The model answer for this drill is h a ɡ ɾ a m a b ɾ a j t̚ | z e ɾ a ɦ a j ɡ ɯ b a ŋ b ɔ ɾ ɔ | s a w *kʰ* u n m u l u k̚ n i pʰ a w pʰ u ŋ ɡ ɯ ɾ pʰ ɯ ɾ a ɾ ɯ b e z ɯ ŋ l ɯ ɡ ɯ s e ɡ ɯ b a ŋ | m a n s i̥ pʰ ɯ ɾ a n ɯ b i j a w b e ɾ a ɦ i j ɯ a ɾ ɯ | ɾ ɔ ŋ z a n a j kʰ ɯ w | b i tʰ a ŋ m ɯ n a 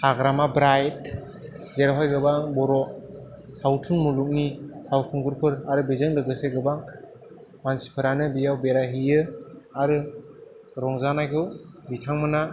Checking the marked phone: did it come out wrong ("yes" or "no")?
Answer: yes